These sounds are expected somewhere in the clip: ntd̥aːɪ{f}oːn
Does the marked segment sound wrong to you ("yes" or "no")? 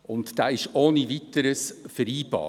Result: yes